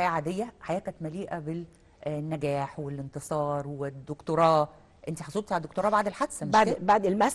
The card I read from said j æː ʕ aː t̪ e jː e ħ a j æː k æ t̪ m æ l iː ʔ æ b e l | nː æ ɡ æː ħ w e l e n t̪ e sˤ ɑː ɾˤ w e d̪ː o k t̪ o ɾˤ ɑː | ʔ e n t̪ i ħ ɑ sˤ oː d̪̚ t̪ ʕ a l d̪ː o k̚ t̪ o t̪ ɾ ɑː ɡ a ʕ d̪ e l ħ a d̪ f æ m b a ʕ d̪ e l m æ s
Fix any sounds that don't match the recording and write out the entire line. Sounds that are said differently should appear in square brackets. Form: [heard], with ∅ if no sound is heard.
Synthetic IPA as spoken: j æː ʕ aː [d̪] e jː [æ] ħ a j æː k æ t̪ m æ l iː ʔ æ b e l | nː æ ɡ æː ħ w e l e n t̪ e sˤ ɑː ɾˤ w e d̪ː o k t̪ o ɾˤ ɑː | ʔ e n t̪ i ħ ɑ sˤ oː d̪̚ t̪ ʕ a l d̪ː o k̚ t̪ o [∅] ɾ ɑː [b] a ʕ d̪ e l ħ a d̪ [s] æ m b a ʕ d̪ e l m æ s